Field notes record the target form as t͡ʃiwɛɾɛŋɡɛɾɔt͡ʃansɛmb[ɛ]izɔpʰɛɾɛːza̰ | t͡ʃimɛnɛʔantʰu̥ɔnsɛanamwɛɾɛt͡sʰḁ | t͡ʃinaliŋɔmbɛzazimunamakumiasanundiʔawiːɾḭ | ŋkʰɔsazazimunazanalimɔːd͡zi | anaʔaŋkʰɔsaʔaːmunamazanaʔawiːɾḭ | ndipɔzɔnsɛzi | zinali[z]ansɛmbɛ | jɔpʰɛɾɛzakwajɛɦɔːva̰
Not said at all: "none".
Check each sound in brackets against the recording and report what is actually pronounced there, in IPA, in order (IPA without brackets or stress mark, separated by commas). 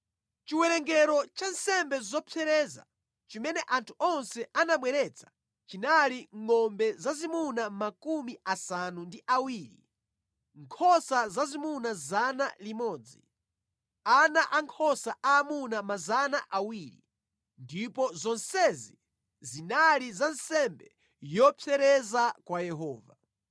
ɛ, z